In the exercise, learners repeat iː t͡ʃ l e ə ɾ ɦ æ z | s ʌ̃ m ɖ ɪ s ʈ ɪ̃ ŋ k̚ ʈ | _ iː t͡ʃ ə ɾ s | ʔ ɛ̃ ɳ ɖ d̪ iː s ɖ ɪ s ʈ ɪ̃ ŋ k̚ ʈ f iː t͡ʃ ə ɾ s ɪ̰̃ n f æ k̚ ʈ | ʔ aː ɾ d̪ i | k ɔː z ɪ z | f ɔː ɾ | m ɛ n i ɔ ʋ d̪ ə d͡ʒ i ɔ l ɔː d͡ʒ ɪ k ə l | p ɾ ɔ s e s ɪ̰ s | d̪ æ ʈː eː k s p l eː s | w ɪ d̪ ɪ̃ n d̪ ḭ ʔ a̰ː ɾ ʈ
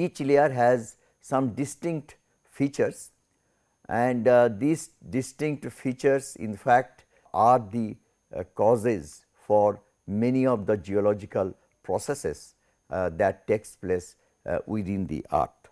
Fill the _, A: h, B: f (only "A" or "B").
B